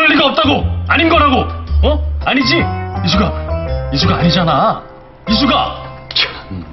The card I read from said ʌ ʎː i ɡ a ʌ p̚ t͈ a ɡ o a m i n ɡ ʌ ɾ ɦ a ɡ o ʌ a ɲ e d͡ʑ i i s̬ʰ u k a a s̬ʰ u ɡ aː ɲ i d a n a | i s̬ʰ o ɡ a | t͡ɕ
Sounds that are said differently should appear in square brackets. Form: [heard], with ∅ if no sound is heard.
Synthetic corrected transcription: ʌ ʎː i ɡ a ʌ p̚ t͈ a ɡ o a [ɲ] i n ɡ ʌ ɾ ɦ a ɡ o ʌ a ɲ [i] d͡ʑ i i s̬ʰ u [ɡ] a [i] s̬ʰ u ɡ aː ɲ i [d͡ʑ] a n a | i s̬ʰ [u] ɡ a | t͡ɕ